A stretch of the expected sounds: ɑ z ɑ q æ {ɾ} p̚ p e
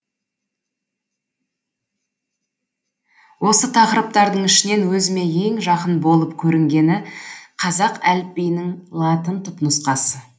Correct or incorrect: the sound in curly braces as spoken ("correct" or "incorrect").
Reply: incorrect